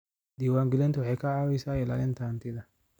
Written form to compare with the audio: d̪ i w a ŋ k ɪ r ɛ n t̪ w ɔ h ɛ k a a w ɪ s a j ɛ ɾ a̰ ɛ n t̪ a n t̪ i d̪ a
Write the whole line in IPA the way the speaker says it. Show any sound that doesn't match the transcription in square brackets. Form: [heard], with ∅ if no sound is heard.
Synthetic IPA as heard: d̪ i w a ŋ [ɡ] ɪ [l] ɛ n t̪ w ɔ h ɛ k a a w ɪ s a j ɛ [l] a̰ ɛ n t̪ a n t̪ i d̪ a